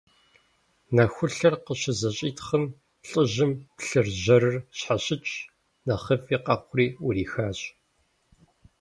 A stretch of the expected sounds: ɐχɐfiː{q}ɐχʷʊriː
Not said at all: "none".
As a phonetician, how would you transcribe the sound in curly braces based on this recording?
q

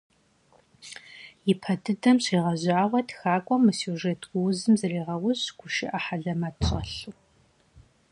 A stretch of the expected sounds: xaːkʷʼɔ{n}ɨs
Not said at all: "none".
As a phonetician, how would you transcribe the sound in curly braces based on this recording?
m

